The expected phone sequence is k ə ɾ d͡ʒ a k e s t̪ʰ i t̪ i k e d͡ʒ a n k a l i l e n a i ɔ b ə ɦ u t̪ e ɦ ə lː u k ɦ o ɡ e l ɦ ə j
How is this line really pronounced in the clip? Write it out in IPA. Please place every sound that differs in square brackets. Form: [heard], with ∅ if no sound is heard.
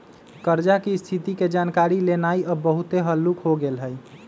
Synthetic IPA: k ə ɾ d͡ʒ a k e s t̪ʰ i t̪ i k e d͡ʒ a n k a [ɾ] i l e n a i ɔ b ə ɦ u t̪ e ɦ ə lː u k ɦ o ɡ e l ɦ ə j